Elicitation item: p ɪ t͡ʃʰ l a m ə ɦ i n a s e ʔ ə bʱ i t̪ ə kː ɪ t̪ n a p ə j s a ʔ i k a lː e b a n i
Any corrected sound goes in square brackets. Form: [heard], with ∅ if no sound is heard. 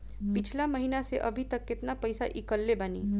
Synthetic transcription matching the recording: p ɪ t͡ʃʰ l a m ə ɦ i n a s e ʔ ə bʱ i t̪ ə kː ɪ t̪ n a p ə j s a ʔ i k [ə] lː e b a n i